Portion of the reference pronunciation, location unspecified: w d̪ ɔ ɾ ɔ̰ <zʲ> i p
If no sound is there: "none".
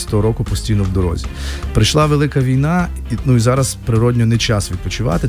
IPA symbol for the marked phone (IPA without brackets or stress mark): zʲ